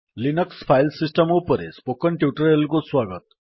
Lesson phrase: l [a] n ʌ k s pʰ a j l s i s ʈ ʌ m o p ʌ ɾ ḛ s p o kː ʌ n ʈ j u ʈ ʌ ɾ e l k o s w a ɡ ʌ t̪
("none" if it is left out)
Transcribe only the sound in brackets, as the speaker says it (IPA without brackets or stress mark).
i